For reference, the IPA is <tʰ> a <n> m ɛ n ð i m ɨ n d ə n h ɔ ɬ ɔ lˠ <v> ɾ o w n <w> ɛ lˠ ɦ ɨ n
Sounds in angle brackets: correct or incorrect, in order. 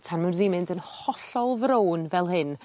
correct, correct, correct, incorrect

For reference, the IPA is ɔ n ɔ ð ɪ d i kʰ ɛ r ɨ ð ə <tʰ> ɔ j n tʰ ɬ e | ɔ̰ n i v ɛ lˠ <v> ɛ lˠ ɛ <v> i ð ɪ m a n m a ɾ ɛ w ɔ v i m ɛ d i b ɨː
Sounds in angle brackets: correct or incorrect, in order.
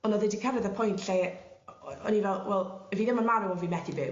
incorrect, incorrect, correct

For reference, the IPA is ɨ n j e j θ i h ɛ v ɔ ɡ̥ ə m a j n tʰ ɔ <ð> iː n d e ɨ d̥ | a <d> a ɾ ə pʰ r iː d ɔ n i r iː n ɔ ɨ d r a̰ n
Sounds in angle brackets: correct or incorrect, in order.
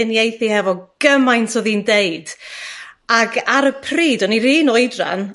correct, incorrect

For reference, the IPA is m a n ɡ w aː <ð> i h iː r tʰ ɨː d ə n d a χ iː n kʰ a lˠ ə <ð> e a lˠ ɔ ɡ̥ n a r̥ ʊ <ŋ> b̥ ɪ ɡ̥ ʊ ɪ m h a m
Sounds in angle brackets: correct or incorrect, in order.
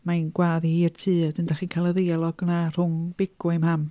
correct, correct, correct

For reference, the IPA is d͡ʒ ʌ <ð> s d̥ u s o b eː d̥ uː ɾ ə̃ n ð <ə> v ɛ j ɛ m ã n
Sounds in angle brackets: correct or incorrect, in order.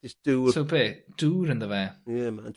incorrect, correct

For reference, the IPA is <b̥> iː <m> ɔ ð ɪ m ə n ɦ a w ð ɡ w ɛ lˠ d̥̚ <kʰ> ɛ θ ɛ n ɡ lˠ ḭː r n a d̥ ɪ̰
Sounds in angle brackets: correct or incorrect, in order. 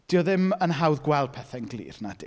incorrect, incorrect, incorrect

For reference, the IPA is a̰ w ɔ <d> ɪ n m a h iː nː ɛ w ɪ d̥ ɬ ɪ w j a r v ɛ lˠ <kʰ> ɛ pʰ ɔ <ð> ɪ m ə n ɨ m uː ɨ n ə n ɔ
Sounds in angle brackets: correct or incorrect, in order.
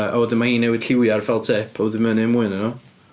correct, incorrect, correct

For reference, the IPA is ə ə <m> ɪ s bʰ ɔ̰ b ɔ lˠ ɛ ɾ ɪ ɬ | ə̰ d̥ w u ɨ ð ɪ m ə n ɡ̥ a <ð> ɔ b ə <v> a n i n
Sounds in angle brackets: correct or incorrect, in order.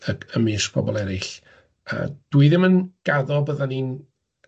correct, correct, incorrect

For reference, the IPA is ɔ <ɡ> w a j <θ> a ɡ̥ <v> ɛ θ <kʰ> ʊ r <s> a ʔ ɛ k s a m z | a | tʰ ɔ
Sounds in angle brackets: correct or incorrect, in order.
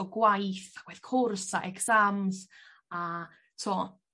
correct, correct, incorrect, correct, correct

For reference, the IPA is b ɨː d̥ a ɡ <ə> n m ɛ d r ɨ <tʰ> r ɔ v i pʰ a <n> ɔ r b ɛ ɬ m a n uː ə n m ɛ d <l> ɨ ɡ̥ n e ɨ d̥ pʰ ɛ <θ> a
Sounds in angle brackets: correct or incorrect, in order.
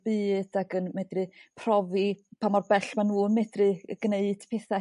correct, incorrect, incorrect, incorrect, correct

